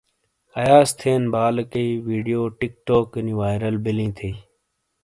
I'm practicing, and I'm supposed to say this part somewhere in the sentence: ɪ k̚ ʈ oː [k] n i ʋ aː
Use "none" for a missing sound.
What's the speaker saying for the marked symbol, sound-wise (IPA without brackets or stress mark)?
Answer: k